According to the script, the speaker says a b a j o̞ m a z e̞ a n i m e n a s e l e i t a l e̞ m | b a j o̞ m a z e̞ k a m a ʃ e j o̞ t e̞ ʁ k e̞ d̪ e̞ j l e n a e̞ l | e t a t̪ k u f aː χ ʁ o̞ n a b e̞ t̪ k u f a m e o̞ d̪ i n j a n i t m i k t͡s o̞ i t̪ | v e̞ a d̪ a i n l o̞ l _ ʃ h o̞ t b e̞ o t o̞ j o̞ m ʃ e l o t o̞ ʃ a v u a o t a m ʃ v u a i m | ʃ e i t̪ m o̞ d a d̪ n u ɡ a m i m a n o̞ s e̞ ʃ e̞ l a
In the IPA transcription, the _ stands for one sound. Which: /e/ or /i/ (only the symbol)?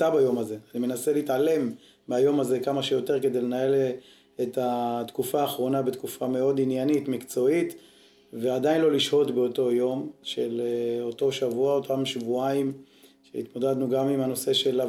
i